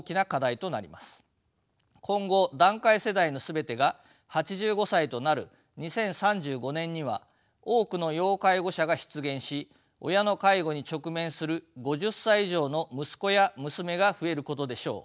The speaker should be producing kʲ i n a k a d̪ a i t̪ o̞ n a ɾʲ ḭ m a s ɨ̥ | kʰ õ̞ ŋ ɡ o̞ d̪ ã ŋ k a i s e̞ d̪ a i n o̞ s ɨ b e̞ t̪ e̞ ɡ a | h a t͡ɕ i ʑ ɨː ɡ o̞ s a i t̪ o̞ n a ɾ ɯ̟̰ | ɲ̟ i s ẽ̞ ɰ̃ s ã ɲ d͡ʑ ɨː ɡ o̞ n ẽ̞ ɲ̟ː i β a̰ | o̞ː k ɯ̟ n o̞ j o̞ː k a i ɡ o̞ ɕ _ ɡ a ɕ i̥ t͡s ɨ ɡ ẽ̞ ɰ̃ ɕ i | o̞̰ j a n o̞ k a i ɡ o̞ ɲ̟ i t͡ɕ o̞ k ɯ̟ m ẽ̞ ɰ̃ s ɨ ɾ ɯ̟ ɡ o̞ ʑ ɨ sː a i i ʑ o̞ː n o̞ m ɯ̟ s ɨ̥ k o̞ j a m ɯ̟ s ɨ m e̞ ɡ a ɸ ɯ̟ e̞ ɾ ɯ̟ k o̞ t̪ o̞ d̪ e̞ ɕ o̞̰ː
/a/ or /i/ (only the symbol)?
a